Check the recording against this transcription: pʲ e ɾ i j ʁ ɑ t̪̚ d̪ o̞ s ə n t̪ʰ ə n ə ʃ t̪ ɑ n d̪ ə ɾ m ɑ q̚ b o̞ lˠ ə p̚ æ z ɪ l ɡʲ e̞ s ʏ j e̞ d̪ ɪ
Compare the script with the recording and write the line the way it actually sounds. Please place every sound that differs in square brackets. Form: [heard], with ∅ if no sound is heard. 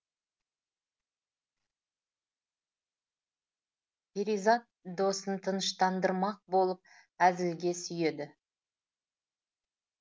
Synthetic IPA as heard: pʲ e ɾ i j [z] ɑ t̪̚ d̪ o̞ s ə n t̪ʰ ə n ə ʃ t̪ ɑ n d̪ ə ɾ m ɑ q̚ b o̞ lˠ ə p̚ æ z ɪ l ɡʲ e̞ s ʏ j e̞ d̪ ɪ

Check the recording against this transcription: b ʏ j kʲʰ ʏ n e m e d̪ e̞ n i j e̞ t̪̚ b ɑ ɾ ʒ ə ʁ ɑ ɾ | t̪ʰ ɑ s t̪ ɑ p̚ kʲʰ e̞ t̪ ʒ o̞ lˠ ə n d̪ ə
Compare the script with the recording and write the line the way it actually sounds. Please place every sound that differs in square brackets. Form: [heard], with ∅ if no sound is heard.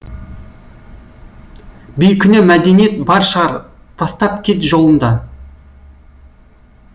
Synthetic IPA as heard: b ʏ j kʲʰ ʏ n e m [æ] d̪ e̞ n i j e̞ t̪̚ b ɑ ɾ [ʃ] ə ʁ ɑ ɾ | t̪ʰ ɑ s t̪ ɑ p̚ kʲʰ e̞ t̪ ʒ o̞ lˠ ə n d̪ [ɑ]

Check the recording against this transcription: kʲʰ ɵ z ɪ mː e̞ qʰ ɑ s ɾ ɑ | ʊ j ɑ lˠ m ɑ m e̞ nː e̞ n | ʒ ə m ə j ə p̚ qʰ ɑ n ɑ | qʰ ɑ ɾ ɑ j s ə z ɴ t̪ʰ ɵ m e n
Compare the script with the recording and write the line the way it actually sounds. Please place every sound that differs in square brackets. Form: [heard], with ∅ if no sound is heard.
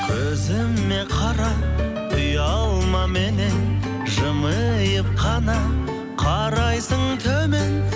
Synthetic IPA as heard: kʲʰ ɵ z ɪ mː e̞ qʰ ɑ [∅] ɾ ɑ | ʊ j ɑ lˠ m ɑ m e̞ [n] e̞ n | ʒ ə m ə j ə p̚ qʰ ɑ n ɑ | qʰ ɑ ɾ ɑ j s ə [∅] ɴ t̪ʰ ɵ m e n

